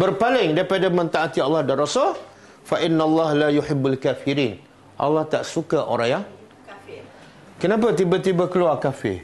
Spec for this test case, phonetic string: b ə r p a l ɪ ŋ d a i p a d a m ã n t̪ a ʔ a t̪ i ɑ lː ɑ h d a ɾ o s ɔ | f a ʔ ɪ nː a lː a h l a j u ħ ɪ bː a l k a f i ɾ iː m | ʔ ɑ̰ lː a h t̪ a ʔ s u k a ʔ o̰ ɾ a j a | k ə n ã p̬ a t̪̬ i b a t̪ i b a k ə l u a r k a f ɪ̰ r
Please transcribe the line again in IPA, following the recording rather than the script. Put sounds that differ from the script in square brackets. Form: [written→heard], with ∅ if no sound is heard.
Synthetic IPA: b ə r p a l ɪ ŋ d a i p a d a m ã n t̪ a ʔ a t̪ i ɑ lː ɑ h d a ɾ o s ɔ | f a ʔ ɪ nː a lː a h l a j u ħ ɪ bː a l k a f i ɾ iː [m→n] | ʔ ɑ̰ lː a h t̪ a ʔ s u k a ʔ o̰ ɾ a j a | k ə n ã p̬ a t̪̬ i b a t̪ i b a k ə l u a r k a f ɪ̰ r